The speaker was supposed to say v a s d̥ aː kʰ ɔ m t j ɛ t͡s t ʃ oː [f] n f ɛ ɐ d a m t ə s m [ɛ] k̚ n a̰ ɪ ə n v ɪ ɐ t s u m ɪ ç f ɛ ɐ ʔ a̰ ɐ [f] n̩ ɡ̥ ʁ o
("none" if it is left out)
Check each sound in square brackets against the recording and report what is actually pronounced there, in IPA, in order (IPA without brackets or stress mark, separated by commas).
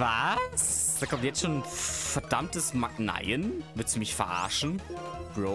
none, a, ʃ